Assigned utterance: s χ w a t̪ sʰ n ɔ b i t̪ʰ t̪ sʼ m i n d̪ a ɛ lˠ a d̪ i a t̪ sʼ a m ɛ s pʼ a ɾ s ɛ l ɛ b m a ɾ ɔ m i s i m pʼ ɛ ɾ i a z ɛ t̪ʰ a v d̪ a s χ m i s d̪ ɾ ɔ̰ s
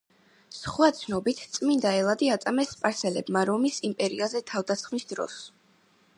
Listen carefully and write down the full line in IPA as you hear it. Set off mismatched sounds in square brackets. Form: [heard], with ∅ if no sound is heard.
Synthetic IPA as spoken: s χ w a t̪ sʰ n ɔ b i t̪ʰ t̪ sʼ m i n d̪ a ɛ lˠ a d̪ i a t̪ sʼ a m ɛ s pʼ a ɾ s ɛ l ɛ b m a ɾ ɔ m i s i m pʼ ɛ ɾ i a z ɛ t̪ʰ a v d̪ a s χ m i s d̪ ɾ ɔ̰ s